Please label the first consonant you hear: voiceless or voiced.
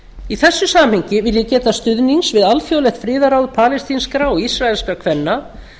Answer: voiceless